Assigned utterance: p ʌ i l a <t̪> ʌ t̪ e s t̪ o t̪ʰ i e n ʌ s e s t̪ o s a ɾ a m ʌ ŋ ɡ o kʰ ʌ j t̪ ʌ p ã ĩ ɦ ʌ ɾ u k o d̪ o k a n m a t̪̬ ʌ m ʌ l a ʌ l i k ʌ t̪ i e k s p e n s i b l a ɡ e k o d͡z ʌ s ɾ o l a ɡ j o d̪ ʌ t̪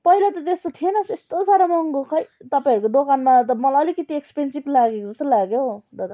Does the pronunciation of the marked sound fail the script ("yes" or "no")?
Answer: no